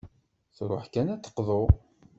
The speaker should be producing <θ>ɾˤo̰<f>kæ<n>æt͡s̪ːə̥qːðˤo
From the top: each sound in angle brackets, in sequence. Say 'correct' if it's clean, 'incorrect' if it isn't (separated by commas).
correct, incorrect, correct